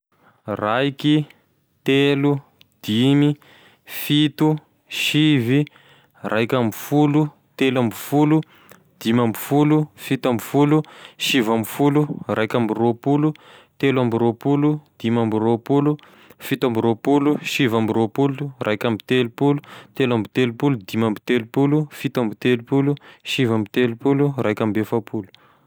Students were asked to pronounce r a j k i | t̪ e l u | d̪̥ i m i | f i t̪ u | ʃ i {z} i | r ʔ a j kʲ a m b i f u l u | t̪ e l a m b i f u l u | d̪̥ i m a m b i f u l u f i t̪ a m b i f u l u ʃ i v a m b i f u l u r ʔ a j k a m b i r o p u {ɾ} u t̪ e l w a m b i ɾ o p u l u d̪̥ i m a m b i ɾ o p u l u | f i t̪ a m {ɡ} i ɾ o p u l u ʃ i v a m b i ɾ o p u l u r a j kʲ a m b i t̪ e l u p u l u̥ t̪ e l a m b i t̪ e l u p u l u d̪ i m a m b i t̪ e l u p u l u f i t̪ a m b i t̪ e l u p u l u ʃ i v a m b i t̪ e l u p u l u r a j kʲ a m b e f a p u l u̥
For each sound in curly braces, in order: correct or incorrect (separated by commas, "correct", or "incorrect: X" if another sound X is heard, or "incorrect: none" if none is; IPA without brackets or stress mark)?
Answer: incorrect: v, incorrect: l, incorrect: b